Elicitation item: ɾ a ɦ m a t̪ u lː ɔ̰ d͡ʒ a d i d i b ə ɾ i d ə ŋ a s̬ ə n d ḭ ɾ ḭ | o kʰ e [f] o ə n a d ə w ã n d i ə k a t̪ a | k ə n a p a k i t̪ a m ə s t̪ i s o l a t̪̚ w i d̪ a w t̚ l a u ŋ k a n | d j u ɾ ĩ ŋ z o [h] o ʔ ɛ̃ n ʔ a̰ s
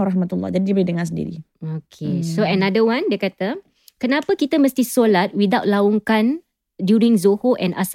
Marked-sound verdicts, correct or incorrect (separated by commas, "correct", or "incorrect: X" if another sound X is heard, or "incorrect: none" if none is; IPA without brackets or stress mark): incorrect: s, correct